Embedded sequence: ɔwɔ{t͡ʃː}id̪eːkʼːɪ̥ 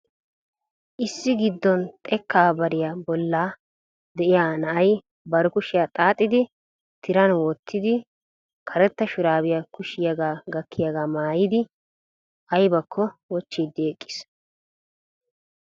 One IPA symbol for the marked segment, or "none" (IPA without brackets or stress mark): t͡ʃː